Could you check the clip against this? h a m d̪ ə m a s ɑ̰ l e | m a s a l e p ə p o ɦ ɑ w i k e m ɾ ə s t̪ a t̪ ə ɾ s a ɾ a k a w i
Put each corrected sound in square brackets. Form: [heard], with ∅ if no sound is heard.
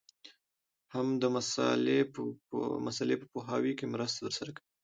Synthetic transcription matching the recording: h a m d̪ ə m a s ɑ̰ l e | m a s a l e p ə p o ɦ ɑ w i k e m ɾ ə s t̪ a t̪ ə ɾ s a ɾ a k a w i